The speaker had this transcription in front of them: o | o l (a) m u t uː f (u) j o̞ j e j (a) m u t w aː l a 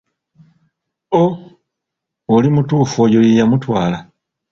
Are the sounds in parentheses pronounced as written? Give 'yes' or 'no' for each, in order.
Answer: no, no, yes

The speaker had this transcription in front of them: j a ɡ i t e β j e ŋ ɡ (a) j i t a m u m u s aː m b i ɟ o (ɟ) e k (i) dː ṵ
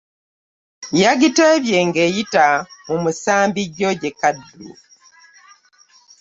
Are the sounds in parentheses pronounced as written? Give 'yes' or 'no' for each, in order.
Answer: no, yes, no

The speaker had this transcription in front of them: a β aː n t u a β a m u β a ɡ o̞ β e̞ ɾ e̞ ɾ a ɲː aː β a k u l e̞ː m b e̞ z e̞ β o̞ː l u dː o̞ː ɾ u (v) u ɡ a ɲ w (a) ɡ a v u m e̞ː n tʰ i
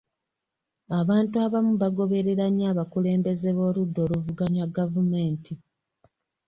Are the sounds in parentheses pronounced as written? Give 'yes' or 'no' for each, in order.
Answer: yes, yes

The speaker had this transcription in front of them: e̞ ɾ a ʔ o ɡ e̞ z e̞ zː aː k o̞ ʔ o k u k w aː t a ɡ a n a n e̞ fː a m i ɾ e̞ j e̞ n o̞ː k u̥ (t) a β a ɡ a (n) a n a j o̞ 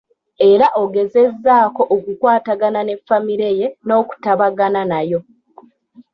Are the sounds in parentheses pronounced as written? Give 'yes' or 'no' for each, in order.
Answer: yes, yes

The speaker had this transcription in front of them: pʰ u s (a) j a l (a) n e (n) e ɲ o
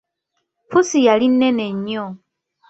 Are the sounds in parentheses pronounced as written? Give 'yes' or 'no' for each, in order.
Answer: no, no, yes

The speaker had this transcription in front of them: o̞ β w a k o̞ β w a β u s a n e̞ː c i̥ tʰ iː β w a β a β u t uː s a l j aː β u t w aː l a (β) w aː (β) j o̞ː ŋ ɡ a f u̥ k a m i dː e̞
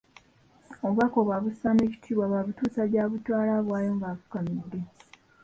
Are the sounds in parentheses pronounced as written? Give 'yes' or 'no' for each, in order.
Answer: yes, no

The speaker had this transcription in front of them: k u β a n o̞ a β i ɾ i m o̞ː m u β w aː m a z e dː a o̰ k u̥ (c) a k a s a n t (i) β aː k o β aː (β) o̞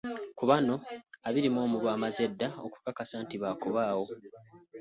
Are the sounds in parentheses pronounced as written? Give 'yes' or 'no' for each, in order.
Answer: no, yes, no

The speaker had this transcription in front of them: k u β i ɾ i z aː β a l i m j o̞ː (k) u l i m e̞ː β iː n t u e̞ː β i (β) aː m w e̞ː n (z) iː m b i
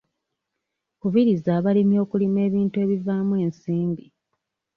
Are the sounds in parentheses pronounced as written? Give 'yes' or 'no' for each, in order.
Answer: yes, no, no

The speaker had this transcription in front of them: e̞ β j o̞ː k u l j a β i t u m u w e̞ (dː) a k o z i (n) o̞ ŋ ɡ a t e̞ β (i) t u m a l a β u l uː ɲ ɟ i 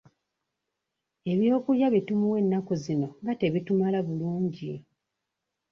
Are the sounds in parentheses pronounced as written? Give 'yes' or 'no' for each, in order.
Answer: no, yes, yes

